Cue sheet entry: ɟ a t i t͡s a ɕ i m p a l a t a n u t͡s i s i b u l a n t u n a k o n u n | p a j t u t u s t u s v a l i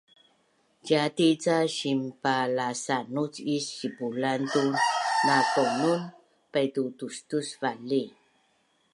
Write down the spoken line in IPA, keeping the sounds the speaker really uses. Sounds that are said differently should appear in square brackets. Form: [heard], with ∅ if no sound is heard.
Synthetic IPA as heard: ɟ a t i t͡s a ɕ i m p a l a [s] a n u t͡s i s i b u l a n t u n a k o n u n | p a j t u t u s t u s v a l i